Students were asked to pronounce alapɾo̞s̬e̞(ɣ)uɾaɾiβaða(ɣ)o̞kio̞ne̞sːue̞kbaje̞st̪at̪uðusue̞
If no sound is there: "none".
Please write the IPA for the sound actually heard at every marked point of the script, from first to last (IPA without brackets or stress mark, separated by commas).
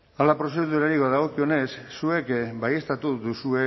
ð, ɣ